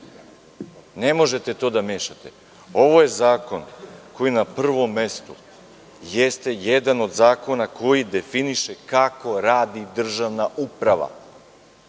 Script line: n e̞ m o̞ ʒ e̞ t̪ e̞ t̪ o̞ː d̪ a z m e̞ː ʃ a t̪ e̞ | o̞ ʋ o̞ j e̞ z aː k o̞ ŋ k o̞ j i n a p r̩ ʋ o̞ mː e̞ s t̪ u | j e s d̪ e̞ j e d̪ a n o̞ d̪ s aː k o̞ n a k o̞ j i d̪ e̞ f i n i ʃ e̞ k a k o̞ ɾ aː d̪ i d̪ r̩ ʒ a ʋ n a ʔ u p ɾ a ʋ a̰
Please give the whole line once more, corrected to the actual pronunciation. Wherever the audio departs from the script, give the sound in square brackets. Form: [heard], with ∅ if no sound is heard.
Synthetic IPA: n e̞ m o̞ ʒ e̞ t̪ e̞ t̪ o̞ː d̪ a [∅] m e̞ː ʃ a t̪ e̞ | o̞ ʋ o̞ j e̞ z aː k o̞ [n] k o̞ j i n a p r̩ ʋ o̞ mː e̞ s t̪ u | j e s [t̪] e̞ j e d̪ a n o̞ d̪ [z] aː k o̞ n a k o̞ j i d̪ e̞ f i n i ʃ e̞ k a k o̞ ɾ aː d̪ i d̪ r̩ ʒ a ʋ n a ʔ u p ɾ a ʋ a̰

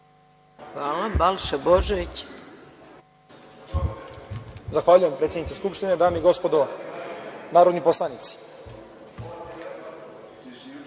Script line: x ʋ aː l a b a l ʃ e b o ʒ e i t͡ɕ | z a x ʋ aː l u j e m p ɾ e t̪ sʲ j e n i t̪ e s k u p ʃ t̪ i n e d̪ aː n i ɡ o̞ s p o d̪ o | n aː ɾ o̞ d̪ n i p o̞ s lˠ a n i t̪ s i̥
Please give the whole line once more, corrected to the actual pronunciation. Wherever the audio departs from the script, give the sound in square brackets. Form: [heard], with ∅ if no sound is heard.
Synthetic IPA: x ʋ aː l a b a l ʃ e b o ʒ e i t͡ɕ | z a x ʋ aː [ʎ] u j e m p ɾ e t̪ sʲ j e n i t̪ e s k u p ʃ t̪ i n e d̪ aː [m] i ɡ o̞ s p o d̪ o | n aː ɾ o̞ d̪ n i p o̞ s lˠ a n i t̪ s i̥

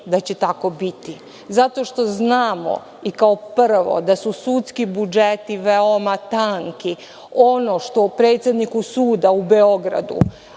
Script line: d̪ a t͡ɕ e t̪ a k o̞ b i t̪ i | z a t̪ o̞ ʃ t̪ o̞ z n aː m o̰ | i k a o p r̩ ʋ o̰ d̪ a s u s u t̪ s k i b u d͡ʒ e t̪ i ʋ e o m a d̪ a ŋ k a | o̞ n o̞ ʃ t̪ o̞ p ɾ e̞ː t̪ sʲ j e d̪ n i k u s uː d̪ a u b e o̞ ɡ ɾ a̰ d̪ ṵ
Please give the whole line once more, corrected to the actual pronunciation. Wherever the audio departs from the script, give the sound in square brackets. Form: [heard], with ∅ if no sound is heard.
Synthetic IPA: d̪ a t͡ɕ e t̪ a k o̞ b i t̪ i | z a t̪ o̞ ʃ t̪ o̞ z n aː m o̰ | i k a o p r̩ ʋ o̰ d̪ a s u s u t̪ s k i b u d͡ʒ e t̪ i ʋ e o m a [t̪] a ŋ k [i] | o̞ n o̞ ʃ t̪ o̞ p ɾ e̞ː t̪ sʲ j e d̪ n i k u s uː d̪ a u b e o̞ ɡ ɾ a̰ d̪ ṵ

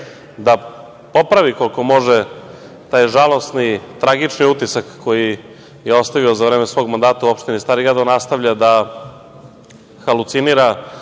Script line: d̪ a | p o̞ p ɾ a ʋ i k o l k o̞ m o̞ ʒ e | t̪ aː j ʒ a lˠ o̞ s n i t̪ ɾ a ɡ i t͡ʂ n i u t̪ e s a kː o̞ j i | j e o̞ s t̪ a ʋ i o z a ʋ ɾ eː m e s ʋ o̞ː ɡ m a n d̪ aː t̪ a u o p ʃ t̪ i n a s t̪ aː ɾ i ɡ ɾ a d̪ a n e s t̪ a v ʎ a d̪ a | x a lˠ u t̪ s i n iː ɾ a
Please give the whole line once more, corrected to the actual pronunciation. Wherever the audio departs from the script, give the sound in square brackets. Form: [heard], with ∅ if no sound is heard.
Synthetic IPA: d̪ a | p o̞ p ɾ a ʋ i k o l k o̞ m o̞ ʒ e | t̪ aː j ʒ a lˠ o̞ s n i t̪ ɾ a ɡ i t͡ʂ n i u t̪ [i] s a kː o̞ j i | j e o̞ s t̪ a ʋ i o z a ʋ ɾ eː m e s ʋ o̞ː ɡ m a n d̪ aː t̪ a u o p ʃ t̪ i n [i] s t̪ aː ɾ i ɡ ɾ a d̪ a n [a] s t̪ a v ʎ a d̪ a | x a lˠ u t̪ s i n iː ɾ a

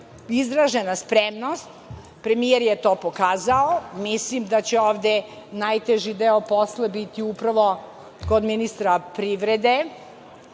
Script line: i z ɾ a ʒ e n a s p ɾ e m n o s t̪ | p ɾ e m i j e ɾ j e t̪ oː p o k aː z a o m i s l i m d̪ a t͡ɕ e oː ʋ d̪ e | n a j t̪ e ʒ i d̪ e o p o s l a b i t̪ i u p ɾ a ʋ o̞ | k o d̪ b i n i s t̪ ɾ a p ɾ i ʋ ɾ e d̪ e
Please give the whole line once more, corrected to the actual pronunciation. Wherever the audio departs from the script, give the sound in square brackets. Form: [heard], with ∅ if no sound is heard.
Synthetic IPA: i z ɾ a ʒ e n a s p ɾ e m n o s t̪ | p ɾ e m i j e ɾ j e t̪ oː p o k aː z a o m i s l i m d̪ a t͡ɕ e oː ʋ d̪ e | n a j t̪ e ʒ i d̪ e o p o s l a b i t̪ i u p ɾ a ʋ o̞ | k o d̪ [m] i n i s t̪ ɾ a p ɾ i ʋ ɾ e d̪ e

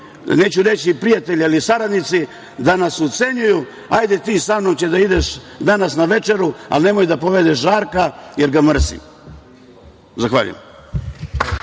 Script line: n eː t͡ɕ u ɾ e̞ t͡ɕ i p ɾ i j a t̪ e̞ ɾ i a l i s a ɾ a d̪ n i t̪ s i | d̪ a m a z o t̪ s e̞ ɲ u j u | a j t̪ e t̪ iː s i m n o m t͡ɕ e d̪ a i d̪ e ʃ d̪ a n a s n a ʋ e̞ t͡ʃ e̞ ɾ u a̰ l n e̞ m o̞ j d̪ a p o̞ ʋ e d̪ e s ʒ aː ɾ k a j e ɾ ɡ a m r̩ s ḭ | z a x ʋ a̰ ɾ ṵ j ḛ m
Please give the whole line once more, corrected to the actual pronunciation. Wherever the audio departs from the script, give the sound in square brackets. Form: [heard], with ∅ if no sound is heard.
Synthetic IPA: n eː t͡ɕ u ɾ e̞ t͡ɕ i p ɾ i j a t̪ e̞ [ʎ] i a l i s a ɾ a d̪ n i t̪ s i | d̪ a [n] a [s] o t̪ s e̞ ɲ u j u | a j [d̪] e t̪ iː s [a] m n o m t͡ɕ e d̪ a i d̪ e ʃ d̪ a n a s n a ʋ e̞ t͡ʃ e̞ ɾ u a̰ l n e̞ m o̞ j d̪ a p o̞ ʋ e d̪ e [ʃ] ʒ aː ɾ k a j e ɾ ɡ a m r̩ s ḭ | z a x ʋ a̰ [ʎ] ṵ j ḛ m

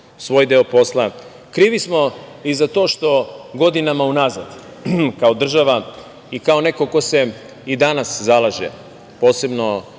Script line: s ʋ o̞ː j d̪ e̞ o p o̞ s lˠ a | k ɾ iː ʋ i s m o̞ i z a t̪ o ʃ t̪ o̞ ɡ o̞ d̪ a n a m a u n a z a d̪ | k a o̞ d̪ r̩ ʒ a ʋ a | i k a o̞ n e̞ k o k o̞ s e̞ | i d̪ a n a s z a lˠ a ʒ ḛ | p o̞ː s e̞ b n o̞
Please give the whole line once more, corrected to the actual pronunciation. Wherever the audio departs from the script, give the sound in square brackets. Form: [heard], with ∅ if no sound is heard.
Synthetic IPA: s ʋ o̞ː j d̪ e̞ o p o̞ s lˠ a | k ɾ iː ʋ i s m o̞ i z a t̪ o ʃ t̪ o̞ ɡ o̞ d̪ [i] n a m a u n a z a d̪ | k a o̞ d̪ r̩ ʒ a ʋ a | i k a o̞ n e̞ k o k o̞ s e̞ | i d̪ a n a s z a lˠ a ʒ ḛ | p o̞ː s e̞ b n o̞

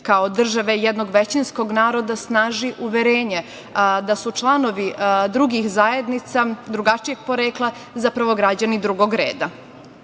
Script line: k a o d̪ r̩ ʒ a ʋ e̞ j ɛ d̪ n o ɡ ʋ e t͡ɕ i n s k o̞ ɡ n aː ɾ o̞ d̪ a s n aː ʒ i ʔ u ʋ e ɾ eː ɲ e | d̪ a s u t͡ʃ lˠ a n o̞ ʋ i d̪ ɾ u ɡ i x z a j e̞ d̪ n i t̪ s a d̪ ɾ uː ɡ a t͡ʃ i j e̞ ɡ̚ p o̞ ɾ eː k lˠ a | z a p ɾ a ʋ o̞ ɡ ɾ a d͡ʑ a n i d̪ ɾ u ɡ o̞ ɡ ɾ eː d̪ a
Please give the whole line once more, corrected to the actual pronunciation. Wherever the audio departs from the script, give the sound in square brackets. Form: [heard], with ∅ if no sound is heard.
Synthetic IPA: k a o d̪ r̩ ʒ a ʋ e̞ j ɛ d̪ n o ɡ ʋ e t͡ɕ i n s k o̞ ɡ n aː ɾ o̞ d̪ a s n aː ʒ i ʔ u ʋ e ɾ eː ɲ e | d̪ a s u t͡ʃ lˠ a n o̞ ʋ i d̪ ɾ u ɡ i x z a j e̞ d̪ n i t̪ s a d̪ ɾ [u] ɡ a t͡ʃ i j e̞ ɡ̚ p o̞ ɾ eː k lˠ a | z a p ɾ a ʋ o̞ ɡ ɾ a d͡ʑ a n i d̪ ɾ u ɡ o̞ ɡ ɾ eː d̪ a

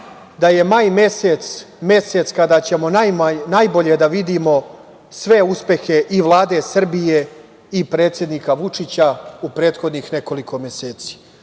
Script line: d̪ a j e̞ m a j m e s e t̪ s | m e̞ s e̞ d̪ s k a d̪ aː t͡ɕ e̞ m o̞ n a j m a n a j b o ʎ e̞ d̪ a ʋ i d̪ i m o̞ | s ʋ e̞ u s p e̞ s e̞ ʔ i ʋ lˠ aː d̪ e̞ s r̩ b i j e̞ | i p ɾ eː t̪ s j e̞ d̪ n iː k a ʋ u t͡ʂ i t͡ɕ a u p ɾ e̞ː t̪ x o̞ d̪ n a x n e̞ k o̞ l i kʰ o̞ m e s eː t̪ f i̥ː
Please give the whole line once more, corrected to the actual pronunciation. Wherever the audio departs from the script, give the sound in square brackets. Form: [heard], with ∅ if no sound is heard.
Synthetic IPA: d̪ a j e̞ m a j m e s e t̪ s | m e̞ s e̞ [t̪] s k a d̪ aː t͡ɕ e̞ m o̞ n a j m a n a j b o ʎ e̞ d̪ a ʋ i d̪ i m o̞ | s ʋ e̞ u s p e̞ [x] e̞ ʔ i ʋ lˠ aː d̪ e̞ s r̩ b i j e̞ | i p ɾ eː t̪ s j e̞ d̪ n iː k a ʋ u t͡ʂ i t͡ɕ a u p ɾ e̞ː t̪ x o̞ d̪ n [i] x n e̞ k o̞ l i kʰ o̞ m e s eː t̪ [s] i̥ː

